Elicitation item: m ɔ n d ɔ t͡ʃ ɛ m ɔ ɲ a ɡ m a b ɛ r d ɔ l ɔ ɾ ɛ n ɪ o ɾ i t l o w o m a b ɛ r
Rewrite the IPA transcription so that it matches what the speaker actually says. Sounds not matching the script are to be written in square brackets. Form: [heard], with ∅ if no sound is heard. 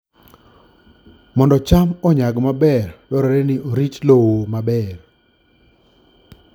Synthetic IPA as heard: m ɔ n d ɔ t͡ʃ [a] m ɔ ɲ a ɡ m a b ɛ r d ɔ [ɾ] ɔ ɾ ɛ n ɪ o ɾ i [t͡ʃ] l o w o m a b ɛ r